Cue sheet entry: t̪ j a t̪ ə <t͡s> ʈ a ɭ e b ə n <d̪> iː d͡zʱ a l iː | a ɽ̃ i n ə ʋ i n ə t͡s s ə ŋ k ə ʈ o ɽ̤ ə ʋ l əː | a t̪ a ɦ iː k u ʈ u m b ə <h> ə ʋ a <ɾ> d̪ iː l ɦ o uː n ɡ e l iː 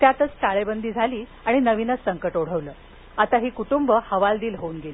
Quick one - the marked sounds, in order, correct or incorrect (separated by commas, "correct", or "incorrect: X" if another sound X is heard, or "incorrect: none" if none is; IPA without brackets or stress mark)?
correct, correct, correct, incorrect: l